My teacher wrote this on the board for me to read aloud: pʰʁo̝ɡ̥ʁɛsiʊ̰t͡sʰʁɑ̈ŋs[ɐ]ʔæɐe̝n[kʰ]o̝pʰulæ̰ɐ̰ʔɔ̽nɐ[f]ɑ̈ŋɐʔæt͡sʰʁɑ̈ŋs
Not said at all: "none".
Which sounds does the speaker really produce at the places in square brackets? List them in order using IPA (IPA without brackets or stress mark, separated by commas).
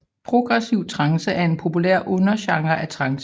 ə, pʰ, ɕ